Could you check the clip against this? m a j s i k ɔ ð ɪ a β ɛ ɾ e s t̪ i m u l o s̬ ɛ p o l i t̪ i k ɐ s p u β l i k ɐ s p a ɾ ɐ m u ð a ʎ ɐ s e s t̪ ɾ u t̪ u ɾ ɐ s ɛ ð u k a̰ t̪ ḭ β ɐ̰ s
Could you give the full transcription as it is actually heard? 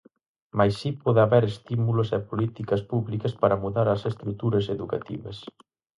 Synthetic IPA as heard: m a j s i p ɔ ð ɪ a β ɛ ɾ e s t̪ i m u l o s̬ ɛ p o l i t̪ i k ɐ s p u β l i k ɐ s p a ɾ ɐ m u ð a ɾ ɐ s e s t̪ ɾ u t̪ u ɾ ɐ s e ð u k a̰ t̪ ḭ β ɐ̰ s